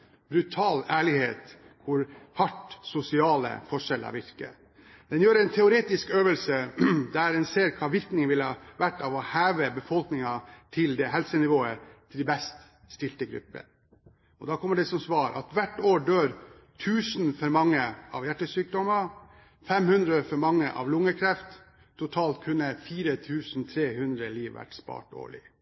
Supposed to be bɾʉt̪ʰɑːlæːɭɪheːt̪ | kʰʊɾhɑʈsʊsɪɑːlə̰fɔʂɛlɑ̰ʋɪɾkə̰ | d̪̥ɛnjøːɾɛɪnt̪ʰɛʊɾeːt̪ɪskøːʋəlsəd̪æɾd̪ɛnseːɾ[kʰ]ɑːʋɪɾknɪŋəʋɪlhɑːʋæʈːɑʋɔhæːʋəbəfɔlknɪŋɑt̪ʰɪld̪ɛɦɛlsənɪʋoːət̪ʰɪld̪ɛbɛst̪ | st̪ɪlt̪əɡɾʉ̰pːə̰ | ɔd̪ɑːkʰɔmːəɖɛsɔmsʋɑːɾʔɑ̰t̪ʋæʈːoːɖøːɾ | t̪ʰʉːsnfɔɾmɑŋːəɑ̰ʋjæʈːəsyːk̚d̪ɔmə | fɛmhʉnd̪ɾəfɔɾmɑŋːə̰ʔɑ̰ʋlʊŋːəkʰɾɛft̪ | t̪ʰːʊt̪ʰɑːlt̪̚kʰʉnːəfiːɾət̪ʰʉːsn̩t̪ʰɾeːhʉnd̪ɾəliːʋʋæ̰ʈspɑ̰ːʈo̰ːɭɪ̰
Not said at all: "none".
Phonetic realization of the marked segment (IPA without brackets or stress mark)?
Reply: kʰ